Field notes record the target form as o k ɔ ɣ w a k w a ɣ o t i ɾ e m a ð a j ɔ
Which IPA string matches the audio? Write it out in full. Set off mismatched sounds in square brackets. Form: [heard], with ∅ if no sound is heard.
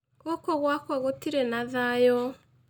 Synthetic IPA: o k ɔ ɣ w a k w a ɣ o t i ɾ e [n] a ð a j ɔ